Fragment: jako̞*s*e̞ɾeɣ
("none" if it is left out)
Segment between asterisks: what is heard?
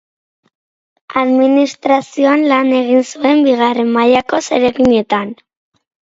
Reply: s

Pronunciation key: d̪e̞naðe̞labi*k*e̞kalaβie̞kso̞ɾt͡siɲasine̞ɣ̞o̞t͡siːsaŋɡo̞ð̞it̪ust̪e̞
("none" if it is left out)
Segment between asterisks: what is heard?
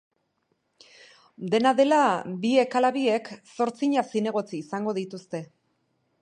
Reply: none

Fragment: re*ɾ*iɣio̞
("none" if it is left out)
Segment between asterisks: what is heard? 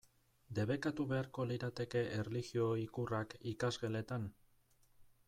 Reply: l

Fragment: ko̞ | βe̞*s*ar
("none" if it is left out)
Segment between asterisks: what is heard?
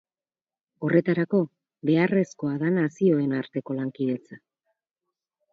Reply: none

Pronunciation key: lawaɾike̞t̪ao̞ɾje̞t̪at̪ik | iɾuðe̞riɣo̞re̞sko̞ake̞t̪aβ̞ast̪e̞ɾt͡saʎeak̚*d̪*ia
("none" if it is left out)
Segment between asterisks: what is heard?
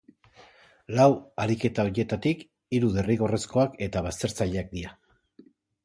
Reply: d̪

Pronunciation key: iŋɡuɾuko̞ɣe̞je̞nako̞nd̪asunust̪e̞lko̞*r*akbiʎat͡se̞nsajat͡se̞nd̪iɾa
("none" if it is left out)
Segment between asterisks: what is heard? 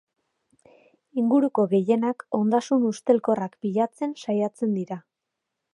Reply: r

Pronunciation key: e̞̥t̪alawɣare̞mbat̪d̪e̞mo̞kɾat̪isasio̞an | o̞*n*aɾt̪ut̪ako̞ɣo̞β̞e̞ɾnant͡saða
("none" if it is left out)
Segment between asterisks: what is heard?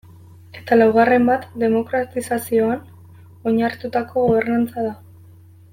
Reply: ɲ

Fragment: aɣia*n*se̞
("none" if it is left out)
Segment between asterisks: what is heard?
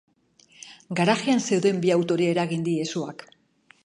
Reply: n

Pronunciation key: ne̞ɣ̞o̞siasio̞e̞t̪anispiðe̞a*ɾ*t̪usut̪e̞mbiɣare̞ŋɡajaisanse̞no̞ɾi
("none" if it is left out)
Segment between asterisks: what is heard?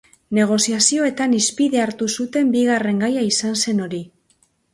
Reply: ɾ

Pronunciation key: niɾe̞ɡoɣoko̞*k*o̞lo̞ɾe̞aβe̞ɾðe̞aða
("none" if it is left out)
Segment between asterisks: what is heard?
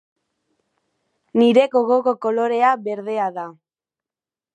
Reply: k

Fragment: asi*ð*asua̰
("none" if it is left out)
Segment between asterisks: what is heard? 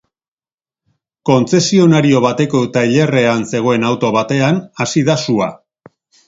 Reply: ð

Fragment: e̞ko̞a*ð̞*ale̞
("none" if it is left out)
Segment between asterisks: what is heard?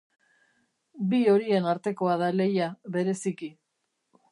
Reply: ð̞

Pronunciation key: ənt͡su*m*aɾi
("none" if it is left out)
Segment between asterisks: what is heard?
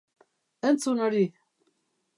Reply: n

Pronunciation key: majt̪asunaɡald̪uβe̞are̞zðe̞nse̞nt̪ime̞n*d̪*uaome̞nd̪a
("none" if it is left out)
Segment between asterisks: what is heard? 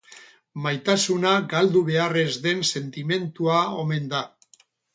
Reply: t̪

